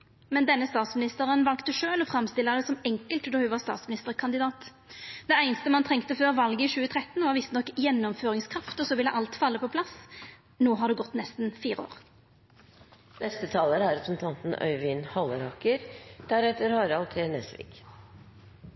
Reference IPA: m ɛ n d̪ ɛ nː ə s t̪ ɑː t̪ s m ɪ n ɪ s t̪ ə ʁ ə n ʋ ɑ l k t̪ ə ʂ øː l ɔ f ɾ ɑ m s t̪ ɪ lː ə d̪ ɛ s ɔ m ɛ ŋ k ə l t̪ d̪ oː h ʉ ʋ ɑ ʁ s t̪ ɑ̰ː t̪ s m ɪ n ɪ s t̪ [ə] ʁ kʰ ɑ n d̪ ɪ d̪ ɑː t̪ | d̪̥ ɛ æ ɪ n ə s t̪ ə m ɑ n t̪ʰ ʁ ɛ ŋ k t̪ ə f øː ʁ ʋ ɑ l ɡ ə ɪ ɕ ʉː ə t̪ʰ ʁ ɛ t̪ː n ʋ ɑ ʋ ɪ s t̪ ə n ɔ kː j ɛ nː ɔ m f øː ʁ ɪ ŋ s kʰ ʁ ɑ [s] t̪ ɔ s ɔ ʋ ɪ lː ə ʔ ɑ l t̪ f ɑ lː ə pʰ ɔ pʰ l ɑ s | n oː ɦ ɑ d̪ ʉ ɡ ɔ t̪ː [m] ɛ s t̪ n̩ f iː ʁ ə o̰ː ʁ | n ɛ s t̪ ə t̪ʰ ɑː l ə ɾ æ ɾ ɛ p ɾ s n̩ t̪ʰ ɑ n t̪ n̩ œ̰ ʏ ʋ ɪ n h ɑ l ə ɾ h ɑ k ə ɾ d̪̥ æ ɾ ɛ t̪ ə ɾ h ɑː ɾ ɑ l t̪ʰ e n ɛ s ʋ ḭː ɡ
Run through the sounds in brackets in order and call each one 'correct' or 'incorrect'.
correct, incorrect, incorrect

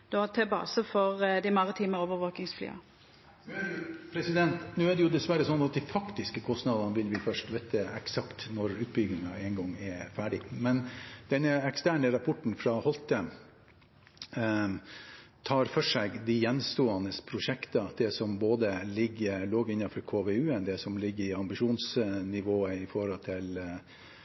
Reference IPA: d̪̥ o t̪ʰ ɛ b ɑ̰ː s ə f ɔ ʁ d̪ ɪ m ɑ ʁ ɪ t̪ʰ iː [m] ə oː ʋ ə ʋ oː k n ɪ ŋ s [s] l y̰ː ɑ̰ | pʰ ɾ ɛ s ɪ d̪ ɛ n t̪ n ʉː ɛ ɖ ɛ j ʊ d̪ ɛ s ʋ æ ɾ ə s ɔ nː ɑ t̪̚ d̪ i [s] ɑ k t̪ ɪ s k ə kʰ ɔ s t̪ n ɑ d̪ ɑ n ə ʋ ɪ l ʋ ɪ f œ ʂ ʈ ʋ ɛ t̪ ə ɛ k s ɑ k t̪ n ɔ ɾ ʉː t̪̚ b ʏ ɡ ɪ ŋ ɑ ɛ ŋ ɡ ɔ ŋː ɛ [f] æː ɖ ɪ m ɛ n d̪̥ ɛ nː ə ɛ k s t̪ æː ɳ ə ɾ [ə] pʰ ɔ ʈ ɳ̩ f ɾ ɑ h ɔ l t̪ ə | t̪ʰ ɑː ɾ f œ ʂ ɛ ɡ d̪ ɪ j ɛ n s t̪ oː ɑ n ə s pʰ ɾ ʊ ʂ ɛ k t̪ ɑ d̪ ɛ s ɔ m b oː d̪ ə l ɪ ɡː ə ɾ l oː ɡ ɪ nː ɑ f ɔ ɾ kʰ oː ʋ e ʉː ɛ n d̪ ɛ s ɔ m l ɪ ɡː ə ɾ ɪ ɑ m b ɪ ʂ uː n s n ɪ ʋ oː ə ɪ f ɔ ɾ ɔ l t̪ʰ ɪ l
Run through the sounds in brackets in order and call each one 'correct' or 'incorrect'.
correct, incorrect, incorrect, correct, incorrect

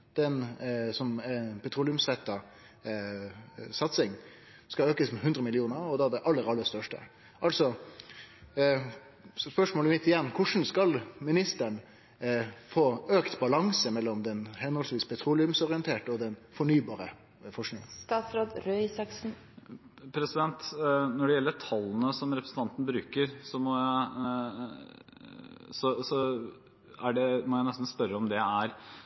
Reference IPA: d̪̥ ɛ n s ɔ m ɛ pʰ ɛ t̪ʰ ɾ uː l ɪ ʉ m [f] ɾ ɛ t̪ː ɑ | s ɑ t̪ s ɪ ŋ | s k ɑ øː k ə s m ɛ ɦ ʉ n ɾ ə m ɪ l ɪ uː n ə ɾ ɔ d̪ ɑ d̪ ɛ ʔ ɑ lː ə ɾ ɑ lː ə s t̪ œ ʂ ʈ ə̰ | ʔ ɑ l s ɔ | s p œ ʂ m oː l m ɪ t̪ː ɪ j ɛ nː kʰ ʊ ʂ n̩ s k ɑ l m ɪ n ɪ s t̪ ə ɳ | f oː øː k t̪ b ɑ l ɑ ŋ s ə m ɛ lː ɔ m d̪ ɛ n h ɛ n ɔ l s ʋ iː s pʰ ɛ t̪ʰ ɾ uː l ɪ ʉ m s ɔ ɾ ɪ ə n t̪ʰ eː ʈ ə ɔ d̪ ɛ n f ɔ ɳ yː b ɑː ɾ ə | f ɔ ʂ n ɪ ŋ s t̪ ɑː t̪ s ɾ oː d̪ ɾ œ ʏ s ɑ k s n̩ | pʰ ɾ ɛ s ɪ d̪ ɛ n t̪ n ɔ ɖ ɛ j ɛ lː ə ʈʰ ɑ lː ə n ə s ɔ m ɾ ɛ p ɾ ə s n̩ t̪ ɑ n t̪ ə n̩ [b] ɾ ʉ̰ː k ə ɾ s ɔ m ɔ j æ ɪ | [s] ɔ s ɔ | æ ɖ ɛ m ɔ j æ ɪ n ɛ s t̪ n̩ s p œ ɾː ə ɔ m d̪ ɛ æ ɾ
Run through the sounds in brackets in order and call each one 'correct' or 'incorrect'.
incorrect, correct, correct

